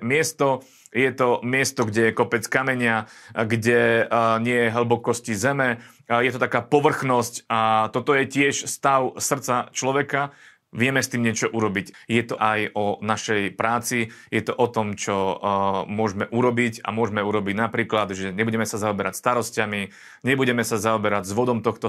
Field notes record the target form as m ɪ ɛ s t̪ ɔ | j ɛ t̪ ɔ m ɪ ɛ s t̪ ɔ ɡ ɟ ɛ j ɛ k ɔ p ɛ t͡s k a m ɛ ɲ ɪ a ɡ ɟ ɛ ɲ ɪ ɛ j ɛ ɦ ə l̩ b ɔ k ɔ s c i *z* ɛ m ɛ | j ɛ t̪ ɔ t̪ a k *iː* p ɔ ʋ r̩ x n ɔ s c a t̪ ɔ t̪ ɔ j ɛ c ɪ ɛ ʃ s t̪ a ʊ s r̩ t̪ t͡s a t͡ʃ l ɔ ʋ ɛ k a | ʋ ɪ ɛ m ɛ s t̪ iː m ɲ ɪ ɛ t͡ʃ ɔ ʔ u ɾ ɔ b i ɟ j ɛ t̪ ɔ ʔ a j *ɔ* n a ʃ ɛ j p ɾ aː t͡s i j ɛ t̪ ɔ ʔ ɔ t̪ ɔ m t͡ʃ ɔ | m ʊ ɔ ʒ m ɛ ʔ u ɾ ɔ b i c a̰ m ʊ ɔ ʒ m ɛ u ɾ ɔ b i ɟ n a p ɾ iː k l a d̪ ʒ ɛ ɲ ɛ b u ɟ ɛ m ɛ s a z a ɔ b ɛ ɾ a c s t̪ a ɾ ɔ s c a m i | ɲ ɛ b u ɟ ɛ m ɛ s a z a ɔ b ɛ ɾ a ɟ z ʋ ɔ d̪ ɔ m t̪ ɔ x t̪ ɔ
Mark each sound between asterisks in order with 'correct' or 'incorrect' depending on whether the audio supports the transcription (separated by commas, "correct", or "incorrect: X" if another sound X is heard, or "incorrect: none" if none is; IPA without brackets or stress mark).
correct, incorrect: aː, correct